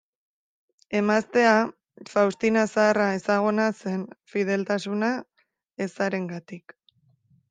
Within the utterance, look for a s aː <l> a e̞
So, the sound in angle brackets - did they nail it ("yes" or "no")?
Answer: no